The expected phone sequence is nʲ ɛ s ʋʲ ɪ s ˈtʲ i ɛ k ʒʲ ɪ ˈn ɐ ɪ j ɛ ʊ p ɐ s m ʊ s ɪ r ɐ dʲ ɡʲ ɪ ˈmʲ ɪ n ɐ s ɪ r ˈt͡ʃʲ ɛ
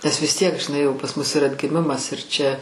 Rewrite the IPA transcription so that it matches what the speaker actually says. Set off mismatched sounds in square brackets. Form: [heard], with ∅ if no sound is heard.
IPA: nʲ ɛ s ʋʲ ɪ s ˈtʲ i ɛ k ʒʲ ɪ ˈn ɐ ɪ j ɛ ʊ p ɐ s m ʊ s ɪ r ɐ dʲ ɡʲ ɪ ˈmʲ ɪ [m] ɐ s ɪ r ˈt͡ʃʲ ɛ